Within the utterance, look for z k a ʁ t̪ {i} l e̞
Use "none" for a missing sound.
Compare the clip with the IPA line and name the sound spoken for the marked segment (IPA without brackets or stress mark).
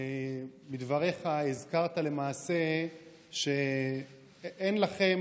a